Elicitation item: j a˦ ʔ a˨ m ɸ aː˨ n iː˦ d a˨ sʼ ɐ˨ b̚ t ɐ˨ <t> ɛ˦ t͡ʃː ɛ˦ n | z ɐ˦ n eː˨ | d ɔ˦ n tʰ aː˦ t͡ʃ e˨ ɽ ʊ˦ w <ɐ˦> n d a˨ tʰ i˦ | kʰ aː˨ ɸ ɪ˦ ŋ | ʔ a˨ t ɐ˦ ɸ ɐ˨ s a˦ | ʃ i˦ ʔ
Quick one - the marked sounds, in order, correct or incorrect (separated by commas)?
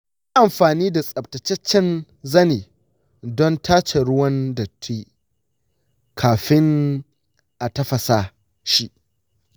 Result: incorrect, correct